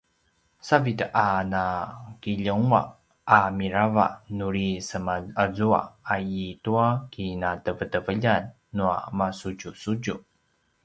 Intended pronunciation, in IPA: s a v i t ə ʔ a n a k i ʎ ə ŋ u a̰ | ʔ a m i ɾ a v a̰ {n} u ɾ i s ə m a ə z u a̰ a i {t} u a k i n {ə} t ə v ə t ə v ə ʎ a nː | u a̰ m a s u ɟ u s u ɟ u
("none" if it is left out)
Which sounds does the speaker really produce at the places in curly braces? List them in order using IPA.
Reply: n, t, a

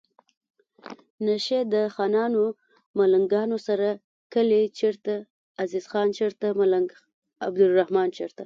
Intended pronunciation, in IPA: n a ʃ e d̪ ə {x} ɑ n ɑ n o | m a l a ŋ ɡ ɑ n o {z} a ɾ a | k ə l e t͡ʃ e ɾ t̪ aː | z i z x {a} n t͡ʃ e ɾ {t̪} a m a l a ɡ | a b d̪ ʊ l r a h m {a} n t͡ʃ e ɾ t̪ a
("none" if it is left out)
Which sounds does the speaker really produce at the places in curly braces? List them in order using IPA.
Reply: x, s, ɑ, t̪, ɑ

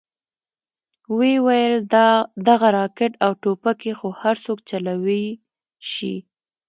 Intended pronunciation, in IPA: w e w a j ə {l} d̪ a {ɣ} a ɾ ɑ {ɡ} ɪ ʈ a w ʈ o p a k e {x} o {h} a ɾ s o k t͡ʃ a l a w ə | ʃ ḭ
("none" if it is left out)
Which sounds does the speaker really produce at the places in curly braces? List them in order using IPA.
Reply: l, ɣ, k, x, h

